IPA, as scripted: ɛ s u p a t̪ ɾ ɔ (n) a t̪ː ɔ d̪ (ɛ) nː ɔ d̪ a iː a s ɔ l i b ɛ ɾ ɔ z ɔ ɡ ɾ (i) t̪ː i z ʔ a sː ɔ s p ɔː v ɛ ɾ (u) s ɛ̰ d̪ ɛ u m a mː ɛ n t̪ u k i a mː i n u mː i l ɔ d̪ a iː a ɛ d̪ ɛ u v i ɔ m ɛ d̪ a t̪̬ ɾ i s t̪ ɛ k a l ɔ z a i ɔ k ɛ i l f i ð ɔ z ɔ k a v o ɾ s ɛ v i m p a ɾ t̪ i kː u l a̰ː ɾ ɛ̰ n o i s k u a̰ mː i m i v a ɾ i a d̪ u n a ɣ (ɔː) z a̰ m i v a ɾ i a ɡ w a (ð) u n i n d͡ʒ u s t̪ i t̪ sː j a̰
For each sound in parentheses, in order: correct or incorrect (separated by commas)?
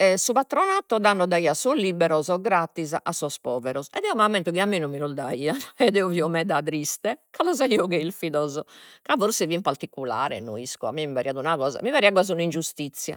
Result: correct, incorrect, incorrect, incorrect, correct, incorrect